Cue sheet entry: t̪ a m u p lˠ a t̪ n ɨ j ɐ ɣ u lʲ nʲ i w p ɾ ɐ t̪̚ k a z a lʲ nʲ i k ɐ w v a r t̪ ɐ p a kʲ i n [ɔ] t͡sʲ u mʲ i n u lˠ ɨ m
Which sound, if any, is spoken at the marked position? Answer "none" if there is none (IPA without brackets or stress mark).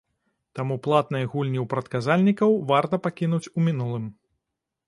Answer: u